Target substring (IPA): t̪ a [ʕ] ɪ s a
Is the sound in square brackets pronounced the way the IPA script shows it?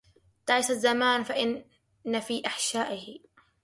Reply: yes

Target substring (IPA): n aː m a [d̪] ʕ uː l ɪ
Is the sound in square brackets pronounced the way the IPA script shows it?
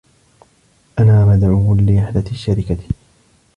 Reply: yes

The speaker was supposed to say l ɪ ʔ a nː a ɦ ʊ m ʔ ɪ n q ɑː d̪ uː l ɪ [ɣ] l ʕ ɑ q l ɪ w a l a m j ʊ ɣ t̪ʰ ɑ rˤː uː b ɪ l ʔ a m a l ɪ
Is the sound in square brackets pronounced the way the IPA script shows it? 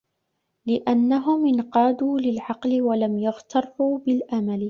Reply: no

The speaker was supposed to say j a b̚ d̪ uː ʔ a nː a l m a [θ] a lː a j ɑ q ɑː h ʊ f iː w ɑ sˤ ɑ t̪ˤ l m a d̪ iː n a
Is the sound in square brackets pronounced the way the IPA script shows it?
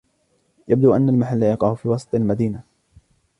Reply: no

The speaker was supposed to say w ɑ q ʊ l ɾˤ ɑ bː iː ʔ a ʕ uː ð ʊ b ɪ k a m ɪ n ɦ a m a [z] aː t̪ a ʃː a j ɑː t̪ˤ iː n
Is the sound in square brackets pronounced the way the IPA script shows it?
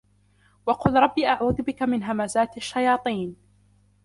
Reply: yes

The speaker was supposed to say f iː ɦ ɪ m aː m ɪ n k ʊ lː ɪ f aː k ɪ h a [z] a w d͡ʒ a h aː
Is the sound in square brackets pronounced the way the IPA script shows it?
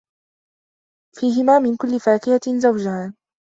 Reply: yes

